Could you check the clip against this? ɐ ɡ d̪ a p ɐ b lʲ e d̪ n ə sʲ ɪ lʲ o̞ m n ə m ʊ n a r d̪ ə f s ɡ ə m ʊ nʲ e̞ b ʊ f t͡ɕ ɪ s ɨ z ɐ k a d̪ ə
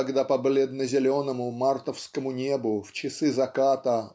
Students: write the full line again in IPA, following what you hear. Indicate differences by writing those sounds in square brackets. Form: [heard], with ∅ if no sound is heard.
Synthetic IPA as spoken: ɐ ɡ d̪ a p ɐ b lʲ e d̪ n ə [zʲ] ɪ lʲ o̞ [∅] n ə m ʊ [m] a r [t̪] ə f s [k] ə m ʊ nʲ e̞ b ʊ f t͡ɕ ɪ s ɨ z ɐ k a [t̪] ə